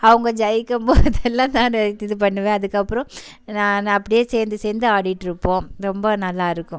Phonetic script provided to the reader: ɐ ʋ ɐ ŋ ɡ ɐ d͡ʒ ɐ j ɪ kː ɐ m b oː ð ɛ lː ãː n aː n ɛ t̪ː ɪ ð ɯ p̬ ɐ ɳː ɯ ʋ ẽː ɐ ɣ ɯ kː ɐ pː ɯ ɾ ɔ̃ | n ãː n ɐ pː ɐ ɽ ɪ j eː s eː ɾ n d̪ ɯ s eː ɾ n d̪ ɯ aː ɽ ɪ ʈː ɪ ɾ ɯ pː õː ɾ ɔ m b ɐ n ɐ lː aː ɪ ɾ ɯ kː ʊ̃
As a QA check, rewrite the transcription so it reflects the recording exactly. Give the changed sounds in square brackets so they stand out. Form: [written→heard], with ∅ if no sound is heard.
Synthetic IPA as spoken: ɐ ʋ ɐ ŋ ɡ ɐ d͡ʒ ɐ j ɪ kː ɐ m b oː ð ɛ lː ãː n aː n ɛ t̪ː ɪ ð ɯ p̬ ɐ ɳː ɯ ʋ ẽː ɐ [ɣ→ð] ɯ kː ɐ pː ɯ ɾ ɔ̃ | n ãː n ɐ pː ɐ ɽ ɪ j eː s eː ɾ n d̪ ɯ s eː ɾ n d̪ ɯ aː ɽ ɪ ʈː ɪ ɾ ɯ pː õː ɾ ɔ m b ɐ n ɐ lː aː ɪ ɾ ɯ kː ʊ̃